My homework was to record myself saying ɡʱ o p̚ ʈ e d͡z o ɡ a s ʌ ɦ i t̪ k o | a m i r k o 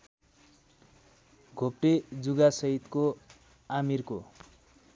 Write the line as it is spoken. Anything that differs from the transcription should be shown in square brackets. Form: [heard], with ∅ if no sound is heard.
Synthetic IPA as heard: ɡʱ o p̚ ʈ e d͡z [u] ɡ a s ʌ ɦ i t̪ k o | a m i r k o